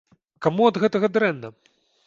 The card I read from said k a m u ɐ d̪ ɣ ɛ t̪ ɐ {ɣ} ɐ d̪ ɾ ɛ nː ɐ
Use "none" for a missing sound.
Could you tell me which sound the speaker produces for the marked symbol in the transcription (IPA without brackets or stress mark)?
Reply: ɣ